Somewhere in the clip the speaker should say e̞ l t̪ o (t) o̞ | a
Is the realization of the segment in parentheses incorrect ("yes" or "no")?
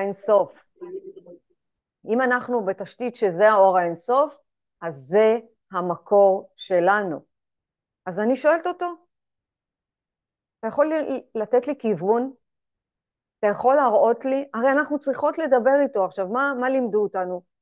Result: no